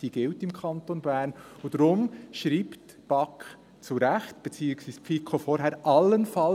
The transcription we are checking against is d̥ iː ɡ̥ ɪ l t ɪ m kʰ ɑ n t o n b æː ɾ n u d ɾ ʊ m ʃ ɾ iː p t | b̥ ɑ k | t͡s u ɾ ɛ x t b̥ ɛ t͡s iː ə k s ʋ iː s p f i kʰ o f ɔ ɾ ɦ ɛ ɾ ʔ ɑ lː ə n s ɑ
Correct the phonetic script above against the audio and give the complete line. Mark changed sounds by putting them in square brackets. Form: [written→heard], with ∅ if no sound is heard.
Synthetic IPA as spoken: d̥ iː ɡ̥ ɪ l t ɪ m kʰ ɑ n t o n b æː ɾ n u d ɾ ʊ m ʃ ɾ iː p t | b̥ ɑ k | t͡s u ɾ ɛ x t b̥ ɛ t͡s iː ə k s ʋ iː s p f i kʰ o f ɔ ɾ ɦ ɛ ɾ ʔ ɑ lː ə n [s→f] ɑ